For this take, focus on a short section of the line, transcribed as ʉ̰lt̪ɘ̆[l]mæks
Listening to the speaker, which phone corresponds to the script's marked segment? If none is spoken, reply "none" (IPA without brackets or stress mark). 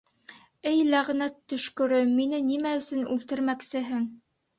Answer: ɾ